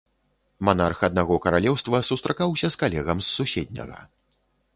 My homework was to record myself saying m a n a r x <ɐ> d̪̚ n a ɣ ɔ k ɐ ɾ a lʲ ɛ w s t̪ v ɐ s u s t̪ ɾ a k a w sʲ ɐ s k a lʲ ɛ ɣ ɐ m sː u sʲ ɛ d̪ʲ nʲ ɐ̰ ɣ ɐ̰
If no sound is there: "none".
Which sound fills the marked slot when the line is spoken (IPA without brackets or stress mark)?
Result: ɐ